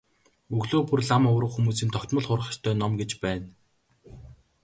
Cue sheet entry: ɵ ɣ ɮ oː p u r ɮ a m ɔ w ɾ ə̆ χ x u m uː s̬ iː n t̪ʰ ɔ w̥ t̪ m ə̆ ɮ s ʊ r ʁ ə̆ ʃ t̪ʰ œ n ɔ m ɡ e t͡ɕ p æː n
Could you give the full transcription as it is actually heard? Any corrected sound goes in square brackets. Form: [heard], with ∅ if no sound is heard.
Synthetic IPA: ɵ ɣ ɮ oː p u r ɮ a m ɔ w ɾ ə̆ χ x u m uː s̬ iː n t̪ʰ ɔ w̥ t̪ m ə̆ ɮ [χ] ʊ r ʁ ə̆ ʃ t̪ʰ [œː] n ɔ m ɡ e t͡ɕ p æː n

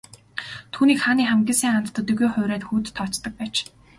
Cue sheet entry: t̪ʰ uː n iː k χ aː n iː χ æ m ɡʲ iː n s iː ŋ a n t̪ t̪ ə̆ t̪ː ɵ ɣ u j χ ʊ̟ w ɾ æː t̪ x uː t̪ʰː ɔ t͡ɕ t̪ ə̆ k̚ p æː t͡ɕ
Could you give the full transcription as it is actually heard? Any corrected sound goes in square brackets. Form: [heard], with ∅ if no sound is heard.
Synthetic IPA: t̪ʰ uː n iː k χ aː n iː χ æ m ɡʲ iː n s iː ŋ a n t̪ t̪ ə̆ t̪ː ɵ ɣ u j χ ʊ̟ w ɾ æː t̪ x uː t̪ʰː ɔ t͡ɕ t̪ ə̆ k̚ p æː t͡ɕ

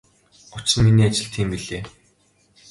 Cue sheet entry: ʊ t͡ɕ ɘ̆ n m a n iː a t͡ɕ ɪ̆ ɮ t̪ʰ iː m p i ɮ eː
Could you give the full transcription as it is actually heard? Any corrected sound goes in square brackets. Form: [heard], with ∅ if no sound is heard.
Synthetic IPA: ʊ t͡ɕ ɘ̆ n m [i] n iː a t͡ɕ ɪ̆ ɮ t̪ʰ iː m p i ɮ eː

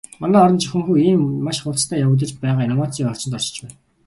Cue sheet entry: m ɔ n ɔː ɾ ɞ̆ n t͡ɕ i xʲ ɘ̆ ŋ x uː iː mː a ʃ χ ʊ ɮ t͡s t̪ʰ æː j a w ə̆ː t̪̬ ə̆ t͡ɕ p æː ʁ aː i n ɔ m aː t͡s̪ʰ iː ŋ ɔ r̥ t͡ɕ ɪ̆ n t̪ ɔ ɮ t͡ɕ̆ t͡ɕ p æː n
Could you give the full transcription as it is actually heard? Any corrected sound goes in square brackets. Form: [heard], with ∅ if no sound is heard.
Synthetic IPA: m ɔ n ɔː ɾ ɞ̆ n t͡ɕ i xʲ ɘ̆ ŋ x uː iː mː a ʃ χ ʊ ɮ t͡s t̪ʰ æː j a w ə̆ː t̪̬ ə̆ t͡ɕ p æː ʁ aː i n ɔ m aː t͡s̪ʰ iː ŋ ɔ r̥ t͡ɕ ɪ̆ n t̪ ɔ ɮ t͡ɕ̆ t͡ɕ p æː n

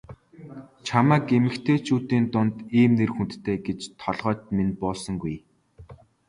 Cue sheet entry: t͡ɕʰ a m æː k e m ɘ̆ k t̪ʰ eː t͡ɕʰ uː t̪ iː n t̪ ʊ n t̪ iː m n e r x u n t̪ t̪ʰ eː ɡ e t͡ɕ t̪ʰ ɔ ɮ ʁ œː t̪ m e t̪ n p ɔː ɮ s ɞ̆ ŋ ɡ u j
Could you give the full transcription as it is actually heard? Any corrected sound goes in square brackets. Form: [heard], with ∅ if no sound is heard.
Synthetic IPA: t͡ɕʰ a m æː k e m ɘ̆ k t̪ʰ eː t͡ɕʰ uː t̪ iː n t̪ ʊ n t̪ iː m n e r x u n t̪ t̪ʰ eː ɡ e t͡ɕ t̪ʰ ɔ ɮ ʁ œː t̪ m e [∅] n p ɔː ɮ s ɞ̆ ŋ ɡ u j

